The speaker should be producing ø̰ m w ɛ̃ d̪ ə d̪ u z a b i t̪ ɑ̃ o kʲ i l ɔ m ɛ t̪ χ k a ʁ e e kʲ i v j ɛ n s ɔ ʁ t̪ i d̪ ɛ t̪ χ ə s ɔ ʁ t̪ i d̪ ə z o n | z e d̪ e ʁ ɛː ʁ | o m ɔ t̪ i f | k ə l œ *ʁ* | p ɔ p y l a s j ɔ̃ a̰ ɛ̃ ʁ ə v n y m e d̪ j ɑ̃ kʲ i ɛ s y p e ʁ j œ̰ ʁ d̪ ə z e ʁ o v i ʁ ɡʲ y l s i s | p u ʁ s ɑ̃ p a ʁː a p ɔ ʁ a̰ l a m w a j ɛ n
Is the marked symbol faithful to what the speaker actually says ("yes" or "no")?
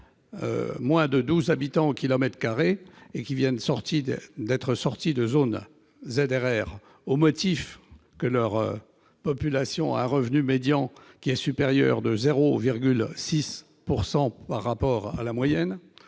yes